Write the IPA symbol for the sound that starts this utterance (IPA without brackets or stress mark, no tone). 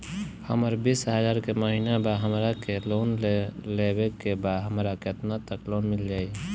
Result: h